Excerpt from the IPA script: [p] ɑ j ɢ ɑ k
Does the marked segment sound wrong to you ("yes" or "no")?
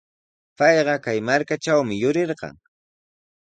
no